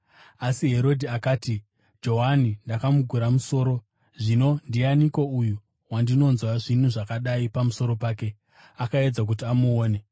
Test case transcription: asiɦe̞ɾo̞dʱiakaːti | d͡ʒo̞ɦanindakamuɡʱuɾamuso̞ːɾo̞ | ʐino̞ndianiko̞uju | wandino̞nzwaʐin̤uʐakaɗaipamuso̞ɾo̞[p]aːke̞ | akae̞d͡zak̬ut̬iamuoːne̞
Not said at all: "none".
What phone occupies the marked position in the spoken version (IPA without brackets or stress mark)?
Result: p